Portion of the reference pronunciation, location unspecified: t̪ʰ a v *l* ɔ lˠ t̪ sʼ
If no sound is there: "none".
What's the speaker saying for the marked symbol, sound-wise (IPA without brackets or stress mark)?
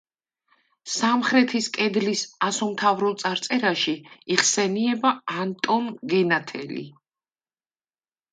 ɾ